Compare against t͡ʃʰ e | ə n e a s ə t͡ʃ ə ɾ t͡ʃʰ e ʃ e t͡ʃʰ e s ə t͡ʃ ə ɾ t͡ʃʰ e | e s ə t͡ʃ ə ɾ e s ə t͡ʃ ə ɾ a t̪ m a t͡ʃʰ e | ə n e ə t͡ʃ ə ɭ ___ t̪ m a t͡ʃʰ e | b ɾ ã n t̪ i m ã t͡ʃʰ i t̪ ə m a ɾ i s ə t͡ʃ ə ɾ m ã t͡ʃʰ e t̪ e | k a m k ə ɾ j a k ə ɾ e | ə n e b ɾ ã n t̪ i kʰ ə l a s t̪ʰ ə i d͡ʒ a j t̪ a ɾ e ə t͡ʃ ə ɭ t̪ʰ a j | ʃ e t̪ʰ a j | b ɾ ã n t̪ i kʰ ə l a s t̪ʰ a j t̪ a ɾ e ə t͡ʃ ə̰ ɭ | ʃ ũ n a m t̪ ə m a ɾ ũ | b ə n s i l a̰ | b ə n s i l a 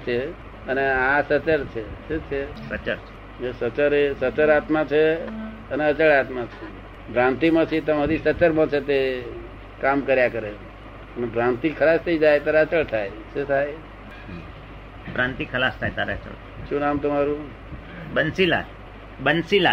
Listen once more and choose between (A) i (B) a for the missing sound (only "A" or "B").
B